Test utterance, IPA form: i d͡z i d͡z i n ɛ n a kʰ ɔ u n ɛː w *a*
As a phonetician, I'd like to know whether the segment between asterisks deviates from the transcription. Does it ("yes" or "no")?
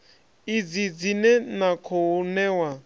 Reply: no